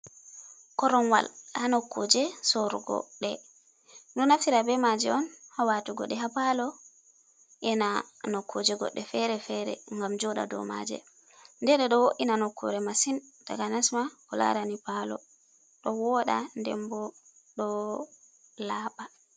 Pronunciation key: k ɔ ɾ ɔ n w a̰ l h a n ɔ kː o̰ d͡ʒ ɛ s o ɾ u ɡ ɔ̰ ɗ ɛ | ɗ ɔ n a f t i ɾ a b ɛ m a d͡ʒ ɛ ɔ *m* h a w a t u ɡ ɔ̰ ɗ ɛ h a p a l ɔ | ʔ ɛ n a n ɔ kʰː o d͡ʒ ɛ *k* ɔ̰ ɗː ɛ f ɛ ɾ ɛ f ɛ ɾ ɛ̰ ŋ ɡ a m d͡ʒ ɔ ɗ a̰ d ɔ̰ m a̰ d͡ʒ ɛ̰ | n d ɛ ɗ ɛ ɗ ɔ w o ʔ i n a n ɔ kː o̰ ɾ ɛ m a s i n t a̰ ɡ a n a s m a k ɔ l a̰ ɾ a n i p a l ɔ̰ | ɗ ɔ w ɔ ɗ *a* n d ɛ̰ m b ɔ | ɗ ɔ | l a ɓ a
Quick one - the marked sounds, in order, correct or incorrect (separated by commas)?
incorrect, incorrect, correct